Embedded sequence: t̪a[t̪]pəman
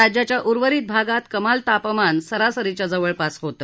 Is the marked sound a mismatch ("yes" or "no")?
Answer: yes